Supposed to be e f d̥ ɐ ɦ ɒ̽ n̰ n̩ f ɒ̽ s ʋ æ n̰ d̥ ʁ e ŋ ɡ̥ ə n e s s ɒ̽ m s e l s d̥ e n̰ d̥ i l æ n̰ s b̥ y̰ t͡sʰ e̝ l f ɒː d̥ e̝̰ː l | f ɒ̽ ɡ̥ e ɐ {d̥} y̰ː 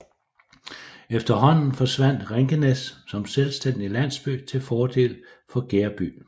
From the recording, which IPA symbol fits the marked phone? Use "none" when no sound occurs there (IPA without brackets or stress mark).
b̥